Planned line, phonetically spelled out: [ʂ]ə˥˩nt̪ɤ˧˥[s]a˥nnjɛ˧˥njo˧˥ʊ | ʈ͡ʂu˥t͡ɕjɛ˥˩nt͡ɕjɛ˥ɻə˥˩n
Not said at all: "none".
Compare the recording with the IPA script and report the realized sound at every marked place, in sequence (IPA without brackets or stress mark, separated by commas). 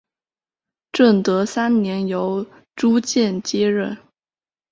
ʈ͡ʂ, s